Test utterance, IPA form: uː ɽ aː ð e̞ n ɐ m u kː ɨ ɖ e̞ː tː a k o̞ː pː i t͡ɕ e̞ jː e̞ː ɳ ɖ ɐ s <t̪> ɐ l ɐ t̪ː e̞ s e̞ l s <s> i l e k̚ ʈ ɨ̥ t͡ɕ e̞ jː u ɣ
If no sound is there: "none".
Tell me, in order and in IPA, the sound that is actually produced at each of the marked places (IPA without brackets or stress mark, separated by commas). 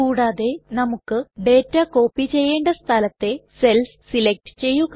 t̪ʰ, s